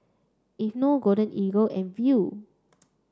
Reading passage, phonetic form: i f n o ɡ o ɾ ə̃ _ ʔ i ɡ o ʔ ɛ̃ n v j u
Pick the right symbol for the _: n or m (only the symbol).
n